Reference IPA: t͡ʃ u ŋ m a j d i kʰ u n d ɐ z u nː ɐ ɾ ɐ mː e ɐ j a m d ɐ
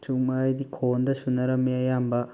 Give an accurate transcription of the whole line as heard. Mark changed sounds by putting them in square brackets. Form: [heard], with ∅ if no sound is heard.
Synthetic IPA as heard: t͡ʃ u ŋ m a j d i kʰ [o] n d ɐ [s] u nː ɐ ɾ ɐ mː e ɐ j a m [b] ɐ